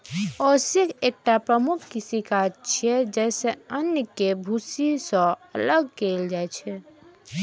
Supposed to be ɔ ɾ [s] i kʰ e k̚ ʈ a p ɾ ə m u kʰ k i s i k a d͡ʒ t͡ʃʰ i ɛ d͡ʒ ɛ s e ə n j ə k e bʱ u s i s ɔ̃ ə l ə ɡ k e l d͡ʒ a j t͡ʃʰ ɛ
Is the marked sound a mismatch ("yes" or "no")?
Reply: no